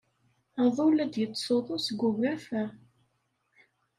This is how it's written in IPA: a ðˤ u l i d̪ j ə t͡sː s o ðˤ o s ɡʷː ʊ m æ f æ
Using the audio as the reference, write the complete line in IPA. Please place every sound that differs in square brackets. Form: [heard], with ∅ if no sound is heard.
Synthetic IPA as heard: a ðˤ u l [æ] d̪ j ə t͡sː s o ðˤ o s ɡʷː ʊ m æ f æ

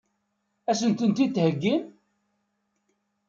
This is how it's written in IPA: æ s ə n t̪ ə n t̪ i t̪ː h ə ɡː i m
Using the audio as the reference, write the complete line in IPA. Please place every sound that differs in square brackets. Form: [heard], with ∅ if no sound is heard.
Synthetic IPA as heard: æ s ə n t̪ ə n t̪ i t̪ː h ə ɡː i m

